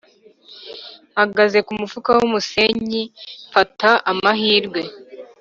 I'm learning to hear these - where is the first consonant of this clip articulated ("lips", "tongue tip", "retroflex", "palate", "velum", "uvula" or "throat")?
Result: throat